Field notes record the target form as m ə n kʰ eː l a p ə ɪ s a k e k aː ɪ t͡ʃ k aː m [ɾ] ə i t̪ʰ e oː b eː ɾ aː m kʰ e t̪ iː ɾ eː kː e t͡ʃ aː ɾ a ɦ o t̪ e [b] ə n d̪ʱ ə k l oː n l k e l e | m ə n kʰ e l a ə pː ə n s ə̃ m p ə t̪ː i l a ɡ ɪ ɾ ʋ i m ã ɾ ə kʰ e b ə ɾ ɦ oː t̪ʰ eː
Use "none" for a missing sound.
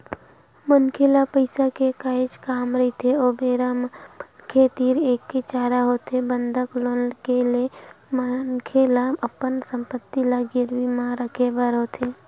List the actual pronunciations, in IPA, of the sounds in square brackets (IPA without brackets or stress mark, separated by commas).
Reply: ɾ, b